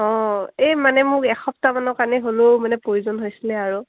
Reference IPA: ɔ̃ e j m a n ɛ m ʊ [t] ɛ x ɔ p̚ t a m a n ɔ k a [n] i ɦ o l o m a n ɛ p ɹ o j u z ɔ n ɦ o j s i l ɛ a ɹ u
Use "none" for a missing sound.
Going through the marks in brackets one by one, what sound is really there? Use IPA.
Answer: k, n

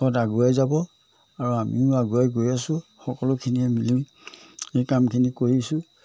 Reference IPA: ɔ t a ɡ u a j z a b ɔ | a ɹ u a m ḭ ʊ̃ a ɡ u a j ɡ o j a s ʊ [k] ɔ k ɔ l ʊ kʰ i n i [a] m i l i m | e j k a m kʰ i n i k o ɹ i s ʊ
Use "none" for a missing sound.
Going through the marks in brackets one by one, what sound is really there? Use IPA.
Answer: x, ɛ

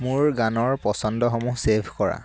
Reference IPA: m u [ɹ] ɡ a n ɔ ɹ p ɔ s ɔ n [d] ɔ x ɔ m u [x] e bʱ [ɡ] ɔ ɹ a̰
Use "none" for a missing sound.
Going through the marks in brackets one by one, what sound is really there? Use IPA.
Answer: ɹ, d, s, k

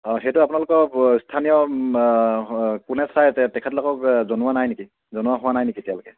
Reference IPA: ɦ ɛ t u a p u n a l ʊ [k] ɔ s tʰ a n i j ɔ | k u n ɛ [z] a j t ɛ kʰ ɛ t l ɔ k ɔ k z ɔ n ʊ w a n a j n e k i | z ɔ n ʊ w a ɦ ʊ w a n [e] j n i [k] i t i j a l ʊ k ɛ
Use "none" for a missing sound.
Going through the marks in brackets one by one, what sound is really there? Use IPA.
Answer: k, s, a, k

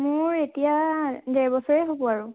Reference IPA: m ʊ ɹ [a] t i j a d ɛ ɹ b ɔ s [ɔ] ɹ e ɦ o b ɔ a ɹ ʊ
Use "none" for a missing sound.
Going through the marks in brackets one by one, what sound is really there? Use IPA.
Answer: e, ɔ

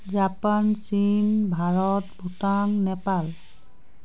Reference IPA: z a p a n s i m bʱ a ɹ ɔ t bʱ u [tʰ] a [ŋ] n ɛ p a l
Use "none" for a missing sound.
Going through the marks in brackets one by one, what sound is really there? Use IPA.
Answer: t, ŋ

